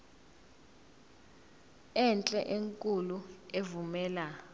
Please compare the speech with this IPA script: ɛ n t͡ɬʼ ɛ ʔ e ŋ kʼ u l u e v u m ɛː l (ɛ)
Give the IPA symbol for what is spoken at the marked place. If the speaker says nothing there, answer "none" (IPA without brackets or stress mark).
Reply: a